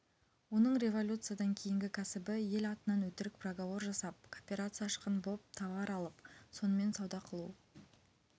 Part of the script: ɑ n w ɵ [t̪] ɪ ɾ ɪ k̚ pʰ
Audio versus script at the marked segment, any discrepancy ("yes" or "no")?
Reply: no